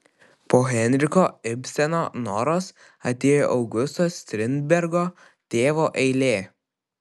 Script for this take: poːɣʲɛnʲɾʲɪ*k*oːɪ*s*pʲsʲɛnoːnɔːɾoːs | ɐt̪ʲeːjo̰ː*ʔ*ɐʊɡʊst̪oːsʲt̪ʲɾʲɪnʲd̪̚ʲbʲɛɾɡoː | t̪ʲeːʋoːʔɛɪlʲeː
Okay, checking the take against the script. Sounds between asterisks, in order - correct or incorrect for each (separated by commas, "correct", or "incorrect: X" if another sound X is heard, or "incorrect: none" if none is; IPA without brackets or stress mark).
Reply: correct, incorrect: none, correct